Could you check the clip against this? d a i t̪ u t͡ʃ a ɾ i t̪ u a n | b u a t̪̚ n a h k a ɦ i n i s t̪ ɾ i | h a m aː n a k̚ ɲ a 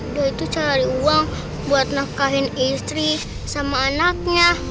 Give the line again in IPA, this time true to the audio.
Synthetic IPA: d a i t̪ u t͡ʃ a ɾ i u a ŋ | b u a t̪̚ n a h k a ɦ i n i s t̪ ɾ i | s a m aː n a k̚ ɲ a